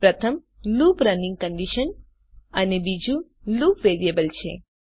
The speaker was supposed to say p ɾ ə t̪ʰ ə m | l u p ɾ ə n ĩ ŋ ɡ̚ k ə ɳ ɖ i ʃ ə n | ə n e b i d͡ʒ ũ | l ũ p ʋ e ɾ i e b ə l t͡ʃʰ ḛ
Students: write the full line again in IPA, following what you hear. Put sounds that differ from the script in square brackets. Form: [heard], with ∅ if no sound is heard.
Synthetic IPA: p ɾ ə t̪ʰ ə m | l u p ɾ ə n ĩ ŋ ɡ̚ k ə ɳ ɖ i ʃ ə n | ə n e b i d͡ʒ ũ | l [u] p ʋ e ɾ i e b ə l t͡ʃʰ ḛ

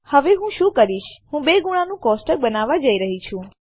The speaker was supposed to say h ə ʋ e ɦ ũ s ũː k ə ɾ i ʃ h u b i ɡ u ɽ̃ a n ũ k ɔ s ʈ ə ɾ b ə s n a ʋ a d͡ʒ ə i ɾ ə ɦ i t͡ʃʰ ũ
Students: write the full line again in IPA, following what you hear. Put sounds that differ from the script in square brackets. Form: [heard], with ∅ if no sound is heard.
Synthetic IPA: h ə ʋ e ɦ ũ [ʃ] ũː k ə ɾ i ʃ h [ũ] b [e] ɡ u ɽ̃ a n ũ k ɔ s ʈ ə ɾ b ə [∅] n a ʋ a d͡ʒ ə i ɾ ə ɦ i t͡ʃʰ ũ

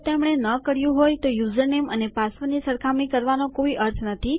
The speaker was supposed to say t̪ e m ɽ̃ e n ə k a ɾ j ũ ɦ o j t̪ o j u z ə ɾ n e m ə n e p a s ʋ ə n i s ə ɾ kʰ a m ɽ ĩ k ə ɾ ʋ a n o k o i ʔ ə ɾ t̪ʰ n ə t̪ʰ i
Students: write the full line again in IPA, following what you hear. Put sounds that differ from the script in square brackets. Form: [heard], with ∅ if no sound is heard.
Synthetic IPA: t̪ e m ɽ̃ e n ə k [ə] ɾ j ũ ɦ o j t̪ o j u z ə ɾ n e m ə n e p a s ʋ ə n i s ə ɾ kʰ a m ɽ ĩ k ə ɾ ʋ a n o k o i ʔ ə ɾ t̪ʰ n ə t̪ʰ i

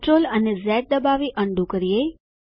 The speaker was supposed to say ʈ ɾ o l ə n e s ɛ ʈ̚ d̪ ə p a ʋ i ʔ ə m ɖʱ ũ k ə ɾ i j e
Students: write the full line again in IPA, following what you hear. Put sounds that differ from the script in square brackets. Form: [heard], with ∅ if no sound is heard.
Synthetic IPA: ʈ ɾ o l ə n e [z] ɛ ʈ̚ d̪ ə [b] a ʋ i ʔ ə [ɳ] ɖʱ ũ k ə ɾ i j e

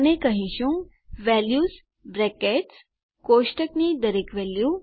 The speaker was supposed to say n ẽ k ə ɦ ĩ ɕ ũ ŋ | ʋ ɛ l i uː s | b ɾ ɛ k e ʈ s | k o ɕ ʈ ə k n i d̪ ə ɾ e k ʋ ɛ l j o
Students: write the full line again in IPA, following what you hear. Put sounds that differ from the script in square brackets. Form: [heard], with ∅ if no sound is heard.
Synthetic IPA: n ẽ k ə ɦ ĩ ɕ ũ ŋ | ʋ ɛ l [j] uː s | b ɾ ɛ k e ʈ s | k o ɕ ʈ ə k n i d̪ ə ɾ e k ʋ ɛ l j [u]

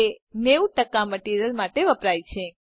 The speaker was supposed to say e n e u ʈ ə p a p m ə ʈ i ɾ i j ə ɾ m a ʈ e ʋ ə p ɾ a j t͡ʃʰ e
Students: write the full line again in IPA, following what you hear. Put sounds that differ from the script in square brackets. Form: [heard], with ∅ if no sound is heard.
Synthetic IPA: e n e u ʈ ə [k] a [∅] m ə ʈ i ɾ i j ə [l] m a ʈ e ʋ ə p ɾ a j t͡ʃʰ e

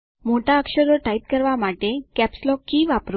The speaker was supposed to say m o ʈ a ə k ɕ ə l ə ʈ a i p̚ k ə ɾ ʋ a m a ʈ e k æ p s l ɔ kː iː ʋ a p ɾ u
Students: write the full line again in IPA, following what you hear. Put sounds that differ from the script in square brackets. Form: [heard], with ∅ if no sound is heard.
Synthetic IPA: m o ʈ a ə k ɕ ə [ɾ] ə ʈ a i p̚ k ə ɾ ʋ a m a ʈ e k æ p s l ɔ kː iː ʋ a p ɾ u

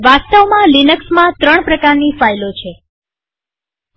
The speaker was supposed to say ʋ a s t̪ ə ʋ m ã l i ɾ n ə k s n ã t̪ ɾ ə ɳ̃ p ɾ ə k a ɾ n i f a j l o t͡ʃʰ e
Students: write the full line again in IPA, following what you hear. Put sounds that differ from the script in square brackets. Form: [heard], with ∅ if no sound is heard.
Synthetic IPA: ʋ a s t̪ ə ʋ m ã l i [∅] n ə k s [m] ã t̪ ɾ ə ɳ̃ p ɾ ə k a ɾ n i f a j l o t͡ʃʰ e

